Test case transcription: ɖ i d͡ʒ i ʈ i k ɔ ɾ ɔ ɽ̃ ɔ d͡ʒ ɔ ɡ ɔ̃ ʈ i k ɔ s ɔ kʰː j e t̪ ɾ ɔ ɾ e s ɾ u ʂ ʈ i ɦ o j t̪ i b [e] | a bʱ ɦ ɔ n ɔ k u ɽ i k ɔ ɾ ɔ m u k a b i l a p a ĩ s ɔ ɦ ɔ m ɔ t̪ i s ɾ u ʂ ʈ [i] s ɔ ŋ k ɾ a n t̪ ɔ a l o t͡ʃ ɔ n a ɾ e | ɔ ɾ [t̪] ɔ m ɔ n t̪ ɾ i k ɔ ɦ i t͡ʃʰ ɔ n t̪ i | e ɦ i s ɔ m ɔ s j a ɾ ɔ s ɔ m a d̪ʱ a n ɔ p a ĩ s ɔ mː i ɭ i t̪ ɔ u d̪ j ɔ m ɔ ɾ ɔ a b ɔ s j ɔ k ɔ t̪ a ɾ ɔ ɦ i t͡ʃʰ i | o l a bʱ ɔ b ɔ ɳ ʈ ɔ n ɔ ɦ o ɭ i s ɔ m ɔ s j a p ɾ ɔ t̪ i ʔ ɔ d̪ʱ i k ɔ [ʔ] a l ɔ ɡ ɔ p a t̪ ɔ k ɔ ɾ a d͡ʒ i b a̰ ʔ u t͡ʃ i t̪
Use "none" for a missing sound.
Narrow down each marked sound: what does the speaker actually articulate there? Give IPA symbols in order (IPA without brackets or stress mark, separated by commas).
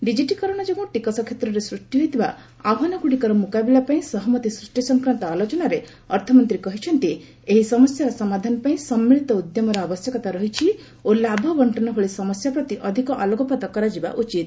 a, i, t̪ʰ, ʔ